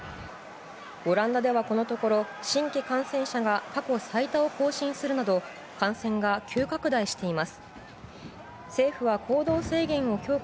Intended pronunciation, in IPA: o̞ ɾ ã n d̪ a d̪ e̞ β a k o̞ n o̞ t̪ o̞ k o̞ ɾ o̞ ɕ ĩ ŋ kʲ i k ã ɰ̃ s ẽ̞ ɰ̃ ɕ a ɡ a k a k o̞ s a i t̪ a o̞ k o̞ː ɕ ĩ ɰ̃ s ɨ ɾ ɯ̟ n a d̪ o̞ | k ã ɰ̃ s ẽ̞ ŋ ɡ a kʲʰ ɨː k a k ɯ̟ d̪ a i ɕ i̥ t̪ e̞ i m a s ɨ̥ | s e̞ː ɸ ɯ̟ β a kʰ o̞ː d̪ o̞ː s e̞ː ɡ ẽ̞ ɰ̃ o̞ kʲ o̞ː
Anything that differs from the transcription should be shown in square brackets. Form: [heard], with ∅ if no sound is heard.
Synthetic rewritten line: o̞ ɾ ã n d̪ a d̪ e̞ β a k o̞ n o̞ t̪ o̞ k o̞ ɾ o̞ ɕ ĩ ŋ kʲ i k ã ɰ̃ s ẽ̞ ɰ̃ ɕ a ɡ a k a k o̞ s a i t̪ a o̞ k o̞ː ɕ ĩ ɰ̃ s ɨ ɾ ɯ̟ n a d̪ o̞ | k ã ɰ̃ s ẽ̞ ŋ ɡ a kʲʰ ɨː k a k ɯ̟ d̪ a i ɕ i̥ t̪ e̞ i m a s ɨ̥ | s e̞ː ɸ ɯ̟ β a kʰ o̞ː d̪ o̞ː s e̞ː ɡ ẽ̞ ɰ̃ o̞ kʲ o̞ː